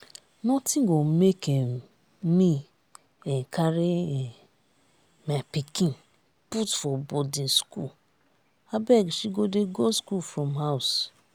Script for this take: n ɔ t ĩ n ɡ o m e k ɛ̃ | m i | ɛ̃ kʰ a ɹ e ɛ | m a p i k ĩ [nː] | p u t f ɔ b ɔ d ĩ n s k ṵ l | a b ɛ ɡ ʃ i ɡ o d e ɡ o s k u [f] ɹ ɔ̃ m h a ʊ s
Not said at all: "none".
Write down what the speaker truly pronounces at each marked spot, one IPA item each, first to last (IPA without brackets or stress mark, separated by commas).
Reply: n, f